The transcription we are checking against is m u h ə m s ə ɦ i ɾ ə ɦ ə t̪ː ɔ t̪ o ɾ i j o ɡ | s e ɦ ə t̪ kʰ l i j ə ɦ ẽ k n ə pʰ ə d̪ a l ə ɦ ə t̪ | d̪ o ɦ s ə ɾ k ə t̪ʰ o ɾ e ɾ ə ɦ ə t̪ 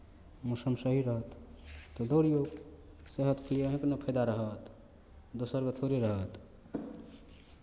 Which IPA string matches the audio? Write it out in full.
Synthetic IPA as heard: m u s ə m s ə ɦ i ɾ ə ɦ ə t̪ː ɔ d̪ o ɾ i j o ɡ | s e ɦ ə t̪ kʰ l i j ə ɦ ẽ k n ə pʰ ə d̪ a ɾ ə ɦ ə t̪ | d̪ o s ə ɾ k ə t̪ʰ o ɾ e ɾ ə ɦ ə t̪